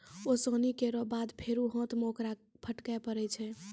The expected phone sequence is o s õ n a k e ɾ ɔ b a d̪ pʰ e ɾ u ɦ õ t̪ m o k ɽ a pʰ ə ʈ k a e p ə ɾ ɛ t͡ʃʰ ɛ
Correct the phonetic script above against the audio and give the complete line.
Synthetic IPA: o s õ n i k e ɾ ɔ b a d̪ pʰ e ɾ u ɦ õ t̪ m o k ɾ a pʰ ə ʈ k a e p ə ɾ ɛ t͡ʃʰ ɛ